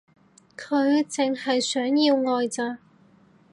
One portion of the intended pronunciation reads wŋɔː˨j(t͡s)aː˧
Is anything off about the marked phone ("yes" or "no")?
no